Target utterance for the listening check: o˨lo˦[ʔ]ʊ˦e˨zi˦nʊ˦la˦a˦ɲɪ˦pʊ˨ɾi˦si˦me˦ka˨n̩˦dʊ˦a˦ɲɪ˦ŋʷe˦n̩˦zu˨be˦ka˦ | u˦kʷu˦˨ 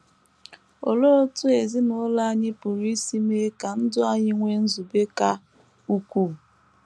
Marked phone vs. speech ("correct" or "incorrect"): incorrect